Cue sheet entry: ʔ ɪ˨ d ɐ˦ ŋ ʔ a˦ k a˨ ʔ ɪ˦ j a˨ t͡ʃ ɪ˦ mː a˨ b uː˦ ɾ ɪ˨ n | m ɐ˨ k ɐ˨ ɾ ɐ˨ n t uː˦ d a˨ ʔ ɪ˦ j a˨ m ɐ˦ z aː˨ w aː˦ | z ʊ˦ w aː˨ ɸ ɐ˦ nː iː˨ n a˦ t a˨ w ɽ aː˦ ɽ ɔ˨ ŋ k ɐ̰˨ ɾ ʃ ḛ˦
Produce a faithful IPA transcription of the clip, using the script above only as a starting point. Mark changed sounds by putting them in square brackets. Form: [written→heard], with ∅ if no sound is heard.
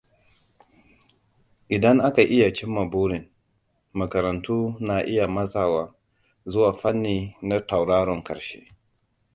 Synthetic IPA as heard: ʔ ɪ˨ d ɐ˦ ŋ ʔ a˦ k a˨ ʔ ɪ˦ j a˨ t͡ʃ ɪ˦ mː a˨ b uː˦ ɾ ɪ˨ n | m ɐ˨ k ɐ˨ ɾ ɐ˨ n t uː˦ [d→n] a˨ ʔ ɪ˦ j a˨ m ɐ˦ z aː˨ w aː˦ | z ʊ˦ w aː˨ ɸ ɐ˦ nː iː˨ n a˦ t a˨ w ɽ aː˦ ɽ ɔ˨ ŋ k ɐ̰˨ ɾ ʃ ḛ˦